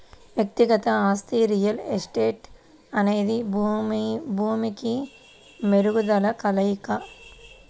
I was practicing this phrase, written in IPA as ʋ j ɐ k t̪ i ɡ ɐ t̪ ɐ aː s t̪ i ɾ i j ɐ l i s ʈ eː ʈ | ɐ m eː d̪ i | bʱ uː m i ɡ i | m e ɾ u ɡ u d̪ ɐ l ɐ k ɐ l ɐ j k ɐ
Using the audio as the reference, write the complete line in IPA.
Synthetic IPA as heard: ʋ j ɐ k t̪ i ɡ ɐ t̪ ɐ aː s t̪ i ɾ i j ɐ l e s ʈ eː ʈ | ɐ n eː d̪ i | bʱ uː m i k i | m e ɾ u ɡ u d̪ ɐ l ɐ k ɐ l ɐ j k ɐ